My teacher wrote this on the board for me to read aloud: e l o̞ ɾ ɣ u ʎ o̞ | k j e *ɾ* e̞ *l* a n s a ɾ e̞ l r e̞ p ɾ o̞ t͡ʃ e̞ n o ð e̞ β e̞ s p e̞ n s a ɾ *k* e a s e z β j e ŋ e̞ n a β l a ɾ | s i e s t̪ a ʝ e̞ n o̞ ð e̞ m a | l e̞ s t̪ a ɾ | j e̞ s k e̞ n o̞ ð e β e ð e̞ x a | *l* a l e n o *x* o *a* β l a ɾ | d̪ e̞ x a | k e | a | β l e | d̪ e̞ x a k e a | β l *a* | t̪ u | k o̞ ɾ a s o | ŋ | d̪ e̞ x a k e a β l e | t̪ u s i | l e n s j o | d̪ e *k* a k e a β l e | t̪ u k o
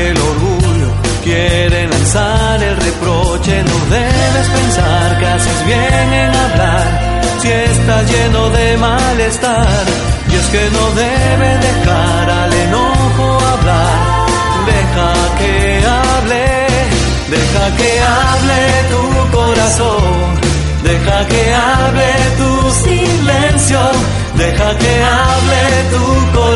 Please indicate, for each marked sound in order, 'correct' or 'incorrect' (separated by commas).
correct, correct, correct, incorrect, correct, correct, incorrect, incorrect